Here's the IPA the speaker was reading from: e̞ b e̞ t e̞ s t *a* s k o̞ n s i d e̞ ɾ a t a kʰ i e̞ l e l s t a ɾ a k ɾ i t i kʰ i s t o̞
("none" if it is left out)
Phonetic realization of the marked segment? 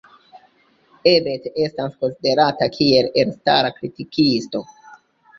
a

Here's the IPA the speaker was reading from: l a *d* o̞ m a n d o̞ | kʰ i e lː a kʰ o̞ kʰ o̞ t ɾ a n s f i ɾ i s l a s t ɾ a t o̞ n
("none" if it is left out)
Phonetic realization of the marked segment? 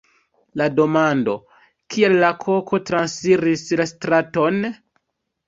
d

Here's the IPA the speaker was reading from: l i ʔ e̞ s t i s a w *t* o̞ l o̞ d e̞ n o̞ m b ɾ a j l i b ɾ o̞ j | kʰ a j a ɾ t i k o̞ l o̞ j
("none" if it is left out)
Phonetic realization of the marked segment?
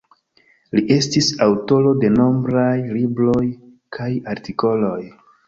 t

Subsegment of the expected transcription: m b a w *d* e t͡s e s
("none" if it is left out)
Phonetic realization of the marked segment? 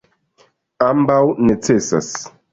n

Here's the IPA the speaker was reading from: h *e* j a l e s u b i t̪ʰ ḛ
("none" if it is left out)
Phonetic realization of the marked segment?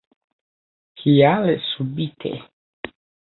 i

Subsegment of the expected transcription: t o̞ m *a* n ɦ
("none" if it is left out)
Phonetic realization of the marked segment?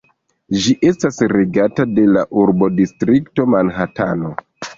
a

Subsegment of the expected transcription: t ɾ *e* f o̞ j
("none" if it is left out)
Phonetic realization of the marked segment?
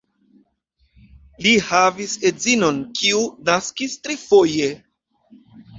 i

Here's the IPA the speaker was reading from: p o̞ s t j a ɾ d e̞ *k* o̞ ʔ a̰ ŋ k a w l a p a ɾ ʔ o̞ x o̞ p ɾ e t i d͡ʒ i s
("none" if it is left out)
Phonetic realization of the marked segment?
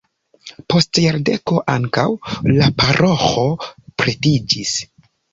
k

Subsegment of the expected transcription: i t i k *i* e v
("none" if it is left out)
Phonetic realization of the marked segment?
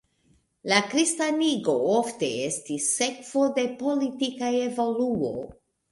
a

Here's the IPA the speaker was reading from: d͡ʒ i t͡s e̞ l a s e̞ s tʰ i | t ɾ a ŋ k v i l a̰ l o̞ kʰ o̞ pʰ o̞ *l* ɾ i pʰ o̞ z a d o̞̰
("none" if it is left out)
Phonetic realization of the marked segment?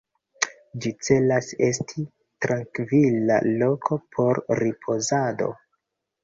ɾ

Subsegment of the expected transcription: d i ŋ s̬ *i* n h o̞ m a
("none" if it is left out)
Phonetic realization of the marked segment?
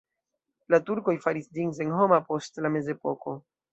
e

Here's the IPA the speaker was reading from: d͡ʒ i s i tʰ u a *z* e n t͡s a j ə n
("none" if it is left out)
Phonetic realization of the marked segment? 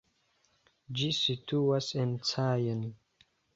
s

